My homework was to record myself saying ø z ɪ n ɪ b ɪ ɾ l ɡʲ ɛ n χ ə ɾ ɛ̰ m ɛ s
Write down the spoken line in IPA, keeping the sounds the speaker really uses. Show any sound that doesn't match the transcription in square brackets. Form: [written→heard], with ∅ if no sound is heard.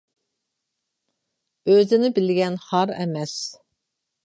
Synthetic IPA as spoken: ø z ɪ n ɪ b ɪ [ɾ→∅] l ɡʲ ɛ n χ [ə→ɑ] ɾ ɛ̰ m ɛ s

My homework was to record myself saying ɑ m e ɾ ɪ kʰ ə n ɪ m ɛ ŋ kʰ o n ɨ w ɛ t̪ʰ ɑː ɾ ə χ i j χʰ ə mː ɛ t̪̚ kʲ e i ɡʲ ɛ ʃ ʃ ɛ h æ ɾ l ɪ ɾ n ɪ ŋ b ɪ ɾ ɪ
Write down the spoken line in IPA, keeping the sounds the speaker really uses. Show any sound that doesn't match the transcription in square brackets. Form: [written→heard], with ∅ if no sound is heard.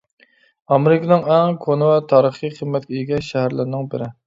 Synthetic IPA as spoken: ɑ m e ɾ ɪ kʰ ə n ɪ [m→ŋ] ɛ ŋ kʰ o n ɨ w ɛ t̪ʰ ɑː ɾ ə χ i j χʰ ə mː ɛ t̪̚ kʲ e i ɡʲ ɛ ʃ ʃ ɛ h æ ɾ l ɪ ɾ n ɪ ŋ b ɪ ɾ ɪ

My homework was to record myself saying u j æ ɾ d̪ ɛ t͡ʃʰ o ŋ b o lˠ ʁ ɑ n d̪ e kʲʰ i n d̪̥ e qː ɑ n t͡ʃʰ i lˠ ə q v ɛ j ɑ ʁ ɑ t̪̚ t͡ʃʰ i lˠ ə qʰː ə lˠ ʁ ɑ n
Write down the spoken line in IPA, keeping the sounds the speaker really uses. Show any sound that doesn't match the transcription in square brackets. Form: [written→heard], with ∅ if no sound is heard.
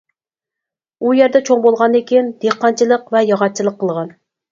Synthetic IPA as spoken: u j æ ɾ d̪ ɛ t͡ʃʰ o ŋ b o lˠ ʁ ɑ n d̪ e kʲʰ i n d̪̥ e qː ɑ n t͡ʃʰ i lˠ ə q v ɛ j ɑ ʁ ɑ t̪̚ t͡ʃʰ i lˠ ə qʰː ə lˠ ʁ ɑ n

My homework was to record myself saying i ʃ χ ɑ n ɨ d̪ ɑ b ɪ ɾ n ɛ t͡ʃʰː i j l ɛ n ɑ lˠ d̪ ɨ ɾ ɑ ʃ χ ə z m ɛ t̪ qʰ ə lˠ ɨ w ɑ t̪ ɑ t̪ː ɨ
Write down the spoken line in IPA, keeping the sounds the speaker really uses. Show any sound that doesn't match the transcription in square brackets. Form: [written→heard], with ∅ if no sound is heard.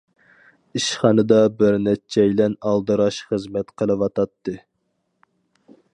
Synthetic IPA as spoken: i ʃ χ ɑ n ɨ d̪ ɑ b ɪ ɾ n ɛ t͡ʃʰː [i→ɛ] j l ɛ n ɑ lˠ d̪ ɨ ɾ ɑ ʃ χ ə z m ɛ t̪ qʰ ə lˠ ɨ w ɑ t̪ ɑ t̪ː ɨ

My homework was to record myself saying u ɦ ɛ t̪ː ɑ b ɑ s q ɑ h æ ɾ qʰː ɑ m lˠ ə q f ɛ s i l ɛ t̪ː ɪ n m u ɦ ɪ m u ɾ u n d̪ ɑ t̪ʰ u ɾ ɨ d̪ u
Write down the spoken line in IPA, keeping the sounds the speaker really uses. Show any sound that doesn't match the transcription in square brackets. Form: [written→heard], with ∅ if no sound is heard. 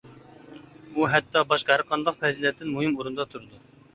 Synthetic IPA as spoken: u ɦ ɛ t̪ː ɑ b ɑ [s→ʃ] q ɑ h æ ɾ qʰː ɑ [m→n] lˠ ə q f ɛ [s→z] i l ɛ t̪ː ɪ n m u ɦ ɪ m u ɾ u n d̪ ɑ t̪ʰ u ɾ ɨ d̪ u

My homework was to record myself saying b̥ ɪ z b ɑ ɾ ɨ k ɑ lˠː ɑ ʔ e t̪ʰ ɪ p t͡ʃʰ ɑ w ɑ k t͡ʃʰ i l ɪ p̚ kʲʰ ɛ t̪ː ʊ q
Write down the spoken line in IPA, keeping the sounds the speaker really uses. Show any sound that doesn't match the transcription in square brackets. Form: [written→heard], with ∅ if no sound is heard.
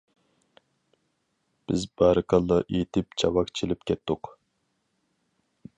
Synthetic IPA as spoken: b̥ ɪ z b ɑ ɾ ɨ k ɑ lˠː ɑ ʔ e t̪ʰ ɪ p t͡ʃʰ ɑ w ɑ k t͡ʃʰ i l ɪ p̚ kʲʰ ɛ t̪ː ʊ q

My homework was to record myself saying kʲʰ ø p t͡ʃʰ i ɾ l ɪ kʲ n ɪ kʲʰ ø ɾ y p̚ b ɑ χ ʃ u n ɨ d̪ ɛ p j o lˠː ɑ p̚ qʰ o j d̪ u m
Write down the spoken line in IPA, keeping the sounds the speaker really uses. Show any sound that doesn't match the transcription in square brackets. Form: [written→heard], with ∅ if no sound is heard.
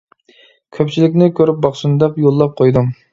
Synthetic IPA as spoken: kʲʰ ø p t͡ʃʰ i [ɾ→∅] l ɪ kʲ n ɪ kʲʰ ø ɾ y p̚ b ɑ χ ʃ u n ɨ d̪ ɛ p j o lˠː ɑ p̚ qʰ o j d̪ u m

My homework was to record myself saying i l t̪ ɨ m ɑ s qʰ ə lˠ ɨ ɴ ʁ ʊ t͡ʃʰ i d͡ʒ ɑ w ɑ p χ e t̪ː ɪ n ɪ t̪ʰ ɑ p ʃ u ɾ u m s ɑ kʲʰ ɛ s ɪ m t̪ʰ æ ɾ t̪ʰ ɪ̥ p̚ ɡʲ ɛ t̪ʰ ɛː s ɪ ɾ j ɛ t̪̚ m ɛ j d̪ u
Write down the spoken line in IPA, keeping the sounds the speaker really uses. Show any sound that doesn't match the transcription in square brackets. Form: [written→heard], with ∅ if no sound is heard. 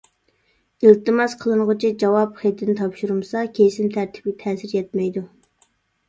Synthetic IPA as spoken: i l t̪ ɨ m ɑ s qʰ ə lˠ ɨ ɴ ʁ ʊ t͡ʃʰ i d͡ʒ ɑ w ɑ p χ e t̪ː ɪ n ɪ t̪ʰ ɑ p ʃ u ɾ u m s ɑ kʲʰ [ɛ→e] s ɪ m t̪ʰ æ ɾ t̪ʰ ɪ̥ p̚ ɡʲ ɛ t̪ʰ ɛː s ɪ ɾ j ɛ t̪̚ m ɛ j d̪ u

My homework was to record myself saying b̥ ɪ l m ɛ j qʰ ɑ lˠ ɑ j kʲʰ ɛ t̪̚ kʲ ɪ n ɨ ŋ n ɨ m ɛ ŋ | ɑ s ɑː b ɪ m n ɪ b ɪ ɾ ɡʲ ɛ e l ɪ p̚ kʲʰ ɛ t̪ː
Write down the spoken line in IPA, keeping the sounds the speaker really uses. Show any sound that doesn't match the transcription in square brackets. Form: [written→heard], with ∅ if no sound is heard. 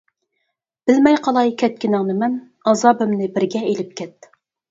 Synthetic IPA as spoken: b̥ ɪ l m ɛ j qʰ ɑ lˠ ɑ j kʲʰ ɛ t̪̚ kʲ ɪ n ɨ ŋ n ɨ m ɛ [ŋ→n] | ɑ [s→z] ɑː b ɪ m n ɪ b ɪ ɾ ɡʲ ɛ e l ɪ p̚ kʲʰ ɛ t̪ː

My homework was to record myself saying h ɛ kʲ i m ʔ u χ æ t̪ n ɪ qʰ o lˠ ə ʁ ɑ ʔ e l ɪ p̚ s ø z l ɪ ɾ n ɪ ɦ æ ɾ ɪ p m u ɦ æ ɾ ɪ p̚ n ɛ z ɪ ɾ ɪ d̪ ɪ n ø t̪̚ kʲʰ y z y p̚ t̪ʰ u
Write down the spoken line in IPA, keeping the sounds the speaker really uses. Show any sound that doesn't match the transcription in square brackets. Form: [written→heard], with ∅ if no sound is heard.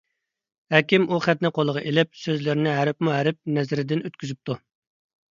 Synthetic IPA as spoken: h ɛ kʲ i m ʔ u χ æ t̪ n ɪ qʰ o lˠ ə ʁ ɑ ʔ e l ɪ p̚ s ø z l ɪ ɾ n ɪ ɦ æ ɾ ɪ p m u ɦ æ ɾ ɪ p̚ n ɛ z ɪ ɾ ɪ d̪ ɪ n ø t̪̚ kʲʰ y z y p̚ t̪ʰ u

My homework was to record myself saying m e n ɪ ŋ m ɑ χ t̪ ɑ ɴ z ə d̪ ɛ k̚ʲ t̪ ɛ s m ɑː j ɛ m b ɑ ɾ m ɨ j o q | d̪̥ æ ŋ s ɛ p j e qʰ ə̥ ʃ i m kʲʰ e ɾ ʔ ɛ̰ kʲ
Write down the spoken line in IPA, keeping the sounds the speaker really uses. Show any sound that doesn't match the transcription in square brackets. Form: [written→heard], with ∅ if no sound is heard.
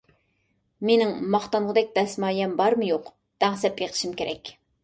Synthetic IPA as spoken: m e n ɪ ŋ m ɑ χ t̪ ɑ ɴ [z→ʁ] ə d̪ ɛ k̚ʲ [t̪→d̪] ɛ s m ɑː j ɛ m b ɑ ɾ m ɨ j o q | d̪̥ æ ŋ s ɛ p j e qʰ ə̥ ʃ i m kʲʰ e ɾ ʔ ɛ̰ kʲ

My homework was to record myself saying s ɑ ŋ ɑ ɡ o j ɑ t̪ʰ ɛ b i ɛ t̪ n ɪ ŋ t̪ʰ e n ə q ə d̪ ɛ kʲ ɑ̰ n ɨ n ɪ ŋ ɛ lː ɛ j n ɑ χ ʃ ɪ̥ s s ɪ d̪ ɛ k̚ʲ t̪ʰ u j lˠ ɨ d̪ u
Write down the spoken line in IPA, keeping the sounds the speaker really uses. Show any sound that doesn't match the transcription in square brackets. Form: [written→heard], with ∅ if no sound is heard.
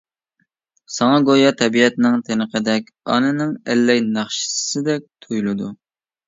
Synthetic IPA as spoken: s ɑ ŋ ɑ ɡ o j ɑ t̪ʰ ɛ b i ɛ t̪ n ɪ ŋ t̪ʰ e n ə q ə d̪ ɛ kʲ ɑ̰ n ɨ n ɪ ŋ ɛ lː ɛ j n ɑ χ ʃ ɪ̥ s s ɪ d̪ ɛ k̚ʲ t̪ʰ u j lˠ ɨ d̪ u

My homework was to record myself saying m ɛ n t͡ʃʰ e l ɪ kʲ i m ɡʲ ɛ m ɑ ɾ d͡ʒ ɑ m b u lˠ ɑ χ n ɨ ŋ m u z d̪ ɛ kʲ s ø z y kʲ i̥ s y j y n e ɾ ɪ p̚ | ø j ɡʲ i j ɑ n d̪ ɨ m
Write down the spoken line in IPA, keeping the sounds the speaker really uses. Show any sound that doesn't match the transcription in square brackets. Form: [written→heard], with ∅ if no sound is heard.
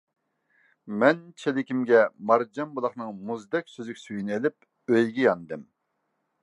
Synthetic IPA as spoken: m ɛ n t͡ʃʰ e l ɪ kʲ i m ɡʲ ɛ m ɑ ɾ d͡ʒ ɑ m b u lˠ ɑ χ n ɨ ŋ m u z d̪ ɛ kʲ s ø z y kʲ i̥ s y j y n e [ɾ→l] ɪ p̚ | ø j ɡʲ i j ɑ n d̪ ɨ m

